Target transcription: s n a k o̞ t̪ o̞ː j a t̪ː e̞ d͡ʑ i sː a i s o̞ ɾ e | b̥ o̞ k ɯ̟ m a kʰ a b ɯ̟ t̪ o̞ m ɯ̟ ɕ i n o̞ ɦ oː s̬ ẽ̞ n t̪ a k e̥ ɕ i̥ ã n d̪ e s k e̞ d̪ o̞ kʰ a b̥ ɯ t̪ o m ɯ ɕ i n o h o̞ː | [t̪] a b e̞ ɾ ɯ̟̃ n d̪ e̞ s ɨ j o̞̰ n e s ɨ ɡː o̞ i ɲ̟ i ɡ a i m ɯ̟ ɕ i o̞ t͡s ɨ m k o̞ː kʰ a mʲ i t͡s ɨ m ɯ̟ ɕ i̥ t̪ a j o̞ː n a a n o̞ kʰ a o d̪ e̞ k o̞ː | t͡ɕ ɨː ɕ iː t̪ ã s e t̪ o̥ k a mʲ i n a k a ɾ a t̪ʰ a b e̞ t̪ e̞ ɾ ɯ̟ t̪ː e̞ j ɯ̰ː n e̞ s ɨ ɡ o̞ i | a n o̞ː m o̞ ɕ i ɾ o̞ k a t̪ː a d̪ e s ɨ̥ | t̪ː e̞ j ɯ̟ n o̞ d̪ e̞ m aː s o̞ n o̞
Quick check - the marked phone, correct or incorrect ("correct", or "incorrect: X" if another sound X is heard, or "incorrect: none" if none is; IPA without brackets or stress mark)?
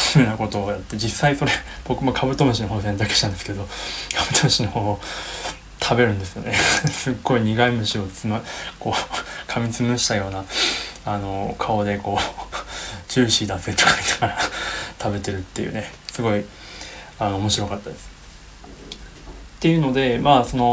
incorrect: t̪ʰ